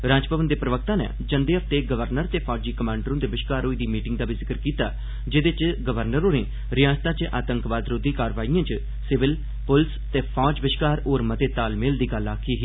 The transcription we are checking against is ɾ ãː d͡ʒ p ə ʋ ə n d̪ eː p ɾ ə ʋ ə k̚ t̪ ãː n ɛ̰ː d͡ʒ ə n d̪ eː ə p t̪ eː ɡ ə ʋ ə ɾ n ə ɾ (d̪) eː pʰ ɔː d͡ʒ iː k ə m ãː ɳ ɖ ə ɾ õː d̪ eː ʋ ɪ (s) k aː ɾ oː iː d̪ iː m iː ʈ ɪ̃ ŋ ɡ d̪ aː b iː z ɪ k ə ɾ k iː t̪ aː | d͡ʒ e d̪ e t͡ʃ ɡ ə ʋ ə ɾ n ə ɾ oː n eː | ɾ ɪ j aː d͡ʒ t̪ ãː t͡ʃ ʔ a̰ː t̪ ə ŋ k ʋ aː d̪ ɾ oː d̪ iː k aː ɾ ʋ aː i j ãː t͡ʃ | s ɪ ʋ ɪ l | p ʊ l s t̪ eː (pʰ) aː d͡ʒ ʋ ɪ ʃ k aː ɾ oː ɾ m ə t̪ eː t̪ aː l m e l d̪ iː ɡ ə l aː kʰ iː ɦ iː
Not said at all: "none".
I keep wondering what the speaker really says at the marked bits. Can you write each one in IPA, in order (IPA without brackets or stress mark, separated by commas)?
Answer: t̪, ʃ, pʰ